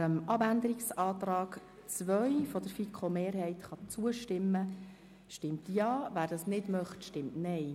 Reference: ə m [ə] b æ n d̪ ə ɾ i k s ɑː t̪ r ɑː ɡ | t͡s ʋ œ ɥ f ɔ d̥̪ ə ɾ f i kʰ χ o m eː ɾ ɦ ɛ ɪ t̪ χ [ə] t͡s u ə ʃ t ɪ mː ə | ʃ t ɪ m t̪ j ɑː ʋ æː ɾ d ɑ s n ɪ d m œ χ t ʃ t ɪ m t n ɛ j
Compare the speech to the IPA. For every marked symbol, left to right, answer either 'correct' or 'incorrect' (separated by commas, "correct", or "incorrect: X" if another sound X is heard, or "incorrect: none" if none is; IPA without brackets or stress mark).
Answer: incorrect: ɑ, incorrect: ɑ